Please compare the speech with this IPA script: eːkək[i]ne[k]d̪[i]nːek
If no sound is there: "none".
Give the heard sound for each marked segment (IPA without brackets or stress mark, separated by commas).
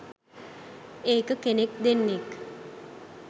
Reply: e, k, e